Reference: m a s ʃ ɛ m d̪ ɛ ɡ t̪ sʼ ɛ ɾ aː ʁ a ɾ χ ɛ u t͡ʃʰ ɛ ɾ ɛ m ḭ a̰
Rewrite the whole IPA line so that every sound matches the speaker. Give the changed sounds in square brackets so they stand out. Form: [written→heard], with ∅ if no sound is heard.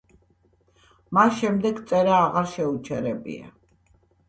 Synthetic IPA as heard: m a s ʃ ɛ m d̪ ɛ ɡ t̪ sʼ ɛ ɾ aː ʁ a ɾ [χ→ʃ] ɛ u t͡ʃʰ ɛ ɾ ɛ [m→b] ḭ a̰